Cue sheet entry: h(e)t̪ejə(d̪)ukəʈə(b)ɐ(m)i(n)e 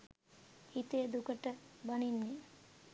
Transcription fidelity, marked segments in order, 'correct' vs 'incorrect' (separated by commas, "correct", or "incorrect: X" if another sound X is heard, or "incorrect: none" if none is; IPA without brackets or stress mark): incorrect: i, correct, correct, incorrect: n, incorrect: nː